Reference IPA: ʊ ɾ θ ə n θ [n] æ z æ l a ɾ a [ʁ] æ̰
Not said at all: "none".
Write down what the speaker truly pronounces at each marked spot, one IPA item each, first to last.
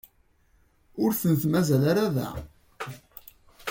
m, ð

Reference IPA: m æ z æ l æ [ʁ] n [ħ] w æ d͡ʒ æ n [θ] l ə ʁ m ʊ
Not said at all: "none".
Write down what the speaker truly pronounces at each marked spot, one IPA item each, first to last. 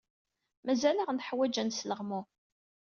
ʁ, ħ, s

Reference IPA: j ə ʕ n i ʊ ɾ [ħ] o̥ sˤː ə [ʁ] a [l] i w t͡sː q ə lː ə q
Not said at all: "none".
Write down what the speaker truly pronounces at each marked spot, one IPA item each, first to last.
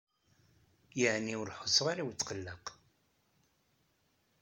ħ, ʁ, ɾ

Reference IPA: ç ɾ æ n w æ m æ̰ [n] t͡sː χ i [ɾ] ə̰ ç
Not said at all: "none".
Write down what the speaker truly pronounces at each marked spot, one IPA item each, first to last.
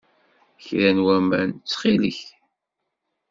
n, l

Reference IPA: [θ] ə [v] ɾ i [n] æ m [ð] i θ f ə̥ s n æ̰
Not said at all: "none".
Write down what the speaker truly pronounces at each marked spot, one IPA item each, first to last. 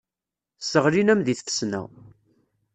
s, ʁ, n, ð

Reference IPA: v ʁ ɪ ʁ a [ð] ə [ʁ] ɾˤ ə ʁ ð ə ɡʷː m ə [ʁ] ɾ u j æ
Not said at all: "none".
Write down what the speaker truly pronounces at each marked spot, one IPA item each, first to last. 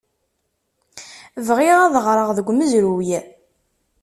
ð, ʁ, z

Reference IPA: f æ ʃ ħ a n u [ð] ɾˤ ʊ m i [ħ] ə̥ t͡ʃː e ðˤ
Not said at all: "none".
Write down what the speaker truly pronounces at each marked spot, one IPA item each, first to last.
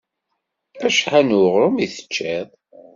ʁ, θ

